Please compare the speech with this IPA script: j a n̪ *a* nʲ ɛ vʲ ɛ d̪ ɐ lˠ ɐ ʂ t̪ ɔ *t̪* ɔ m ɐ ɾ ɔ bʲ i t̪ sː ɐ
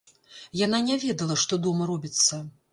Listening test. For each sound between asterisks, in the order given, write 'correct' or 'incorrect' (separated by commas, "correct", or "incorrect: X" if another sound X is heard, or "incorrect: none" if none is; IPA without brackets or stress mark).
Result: correct, incorrect: d̪